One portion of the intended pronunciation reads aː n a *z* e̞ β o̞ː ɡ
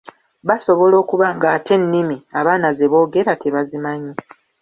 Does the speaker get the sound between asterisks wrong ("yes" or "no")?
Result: no